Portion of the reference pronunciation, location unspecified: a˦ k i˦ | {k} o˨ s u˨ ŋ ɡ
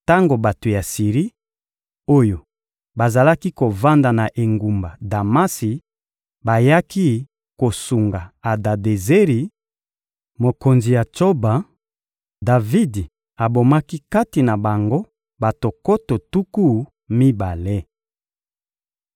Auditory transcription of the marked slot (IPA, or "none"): k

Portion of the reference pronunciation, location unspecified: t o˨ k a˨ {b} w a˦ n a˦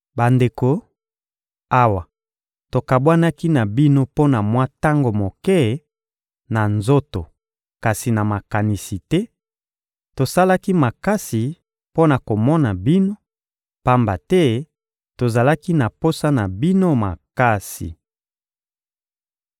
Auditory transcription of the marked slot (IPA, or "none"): b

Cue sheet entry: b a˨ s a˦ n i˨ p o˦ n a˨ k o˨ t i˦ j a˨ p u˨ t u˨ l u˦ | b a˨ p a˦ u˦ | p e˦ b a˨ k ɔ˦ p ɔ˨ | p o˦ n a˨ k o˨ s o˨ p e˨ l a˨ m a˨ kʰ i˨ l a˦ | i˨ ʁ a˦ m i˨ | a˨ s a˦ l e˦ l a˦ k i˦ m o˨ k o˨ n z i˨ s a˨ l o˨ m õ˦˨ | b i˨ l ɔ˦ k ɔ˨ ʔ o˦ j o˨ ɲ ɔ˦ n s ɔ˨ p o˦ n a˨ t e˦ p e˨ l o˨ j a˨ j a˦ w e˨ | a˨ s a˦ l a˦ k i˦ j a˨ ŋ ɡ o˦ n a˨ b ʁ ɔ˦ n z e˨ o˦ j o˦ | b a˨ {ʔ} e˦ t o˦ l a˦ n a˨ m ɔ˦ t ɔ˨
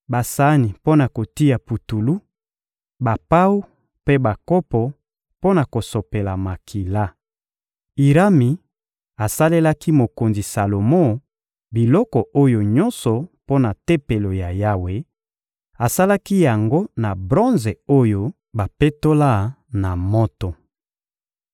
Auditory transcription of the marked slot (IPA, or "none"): p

